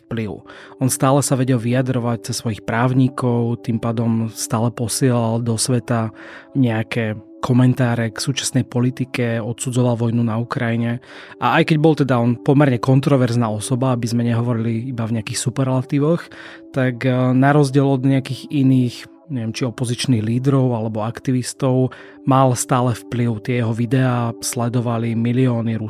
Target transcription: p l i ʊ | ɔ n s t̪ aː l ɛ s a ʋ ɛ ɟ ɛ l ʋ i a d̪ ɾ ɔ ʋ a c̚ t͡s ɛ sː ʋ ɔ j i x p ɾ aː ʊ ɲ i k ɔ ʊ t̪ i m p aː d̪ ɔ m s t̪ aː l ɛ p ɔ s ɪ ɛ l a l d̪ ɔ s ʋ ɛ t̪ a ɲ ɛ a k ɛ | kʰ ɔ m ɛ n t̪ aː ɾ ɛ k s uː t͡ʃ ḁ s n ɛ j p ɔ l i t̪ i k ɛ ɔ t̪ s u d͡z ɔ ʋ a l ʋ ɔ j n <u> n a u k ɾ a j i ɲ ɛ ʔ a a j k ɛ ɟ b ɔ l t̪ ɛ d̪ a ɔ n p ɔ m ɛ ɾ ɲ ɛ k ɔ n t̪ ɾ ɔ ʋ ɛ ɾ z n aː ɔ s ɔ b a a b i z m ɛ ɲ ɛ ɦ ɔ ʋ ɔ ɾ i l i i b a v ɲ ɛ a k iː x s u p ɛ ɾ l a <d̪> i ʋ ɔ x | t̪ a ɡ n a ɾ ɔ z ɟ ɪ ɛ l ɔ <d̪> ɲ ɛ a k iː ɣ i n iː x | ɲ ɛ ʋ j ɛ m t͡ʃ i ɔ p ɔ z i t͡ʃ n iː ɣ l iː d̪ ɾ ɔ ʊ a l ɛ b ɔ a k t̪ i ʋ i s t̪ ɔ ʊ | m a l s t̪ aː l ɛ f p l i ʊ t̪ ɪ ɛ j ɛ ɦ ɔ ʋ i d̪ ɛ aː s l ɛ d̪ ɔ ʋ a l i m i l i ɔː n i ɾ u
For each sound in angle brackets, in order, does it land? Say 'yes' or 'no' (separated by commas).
yes, no, yes